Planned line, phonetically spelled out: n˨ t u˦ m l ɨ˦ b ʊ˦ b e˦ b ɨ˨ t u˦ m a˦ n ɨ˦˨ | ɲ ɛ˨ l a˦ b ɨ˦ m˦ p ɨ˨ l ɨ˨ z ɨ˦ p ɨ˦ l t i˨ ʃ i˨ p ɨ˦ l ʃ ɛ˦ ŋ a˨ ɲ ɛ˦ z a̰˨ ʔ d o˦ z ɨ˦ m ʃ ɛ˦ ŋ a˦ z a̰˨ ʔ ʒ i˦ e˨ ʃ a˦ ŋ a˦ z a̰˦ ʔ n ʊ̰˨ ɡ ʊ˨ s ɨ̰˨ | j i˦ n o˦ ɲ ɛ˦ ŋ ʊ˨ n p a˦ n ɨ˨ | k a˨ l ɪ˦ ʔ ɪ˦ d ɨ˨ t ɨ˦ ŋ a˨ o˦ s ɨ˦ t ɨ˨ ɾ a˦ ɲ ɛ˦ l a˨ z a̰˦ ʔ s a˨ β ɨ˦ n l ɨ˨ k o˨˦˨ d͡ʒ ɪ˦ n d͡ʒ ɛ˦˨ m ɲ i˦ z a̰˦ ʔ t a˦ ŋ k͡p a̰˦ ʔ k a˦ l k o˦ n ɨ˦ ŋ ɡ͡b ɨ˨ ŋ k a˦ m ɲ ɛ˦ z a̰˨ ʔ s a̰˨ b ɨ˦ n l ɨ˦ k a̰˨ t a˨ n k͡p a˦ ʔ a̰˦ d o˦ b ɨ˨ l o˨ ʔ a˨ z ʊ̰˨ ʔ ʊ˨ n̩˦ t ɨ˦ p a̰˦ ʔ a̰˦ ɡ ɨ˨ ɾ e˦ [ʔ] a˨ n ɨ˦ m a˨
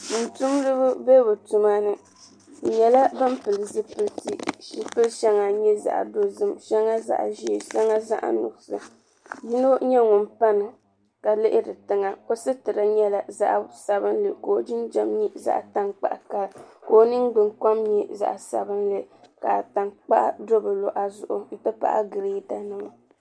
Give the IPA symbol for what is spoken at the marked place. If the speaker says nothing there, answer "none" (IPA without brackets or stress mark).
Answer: t